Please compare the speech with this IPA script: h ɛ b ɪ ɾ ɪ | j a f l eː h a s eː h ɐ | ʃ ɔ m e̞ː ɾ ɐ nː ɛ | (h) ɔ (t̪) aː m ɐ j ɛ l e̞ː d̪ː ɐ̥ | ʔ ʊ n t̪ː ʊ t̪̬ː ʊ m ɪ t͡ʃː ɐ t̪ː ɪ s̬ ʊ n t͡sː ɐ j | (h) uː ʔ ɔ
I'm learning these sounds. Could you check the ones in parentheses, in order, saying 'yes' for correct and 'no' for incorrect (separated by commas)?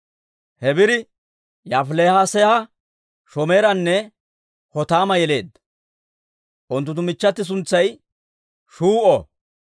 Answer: yes, yes, no